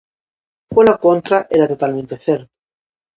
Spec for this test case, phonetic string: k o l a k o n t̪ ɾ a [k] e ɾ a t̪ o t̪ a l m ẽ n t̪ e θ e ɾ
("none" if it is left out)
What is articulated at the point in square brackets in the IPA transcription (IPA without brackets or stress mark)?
ʔ